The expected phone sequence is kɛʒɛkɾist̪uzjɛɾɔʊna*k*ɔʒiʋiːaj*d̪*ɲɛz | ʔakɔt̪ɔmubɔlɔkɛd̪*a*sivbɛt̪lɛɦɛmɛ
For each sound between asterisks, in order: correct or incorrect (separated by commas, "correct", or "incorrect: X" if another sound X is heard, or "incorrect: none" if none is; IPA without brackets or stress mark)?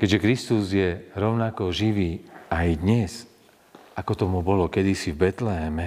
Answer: correct, correct, incorrect: i